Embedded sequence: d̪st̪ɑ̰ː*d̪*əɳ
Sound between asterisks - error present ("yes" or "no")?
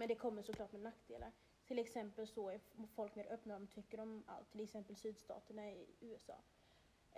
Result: yes